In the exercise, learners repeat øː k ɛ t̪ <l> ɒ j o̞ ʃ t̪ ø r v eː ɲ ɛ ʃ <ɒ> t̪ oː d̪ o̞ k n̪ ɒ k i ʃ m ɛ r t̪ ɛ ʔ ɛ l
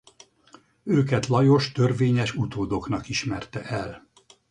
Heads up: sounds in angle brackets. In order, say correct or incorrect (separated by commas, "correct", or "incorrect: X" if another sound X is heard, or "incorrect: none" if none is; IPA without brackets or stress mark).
correct, incorrect: u